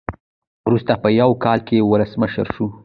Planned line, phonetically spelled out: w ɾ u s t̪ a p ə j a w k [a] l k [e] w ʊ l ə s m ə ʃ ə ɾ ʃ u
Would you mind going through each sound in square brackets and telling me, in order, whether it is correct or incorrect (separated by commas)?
incorrect, correct